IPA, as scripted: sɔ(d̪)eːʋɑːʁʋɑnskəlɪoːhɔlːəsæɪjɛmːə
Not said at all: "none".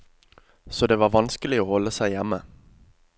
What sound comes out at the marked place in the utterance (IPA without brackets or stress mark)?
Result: d̪